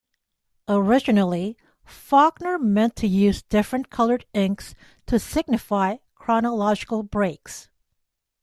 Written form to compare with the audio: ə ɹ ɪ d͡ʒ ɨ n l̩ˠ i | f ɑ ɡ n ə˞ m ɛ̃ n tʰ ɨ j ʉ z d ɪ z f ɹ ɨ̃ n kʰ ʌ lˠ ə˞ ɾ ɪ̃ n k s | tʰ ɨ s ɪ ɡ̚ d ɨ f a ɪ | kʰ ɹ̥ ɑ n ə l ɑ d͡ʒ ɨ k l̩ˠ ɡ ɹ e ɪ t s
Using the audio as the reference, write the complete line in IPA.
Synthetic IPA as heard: ə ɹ ɪ d͡ʒ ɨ n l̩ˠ i | f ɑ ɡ n ə˞ m ɛ̃ n tʰ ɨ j ʉ z d ɪ f ɹ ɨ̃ n kʰ ʌ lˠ ə˞ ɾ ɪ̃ ŋ k s | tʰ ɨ s ɪ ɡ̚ n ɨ f a ɪ | kʰ ɹ̥ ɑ n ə l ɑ d͡ʒ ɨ k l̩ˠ b ɹ e ɪ k s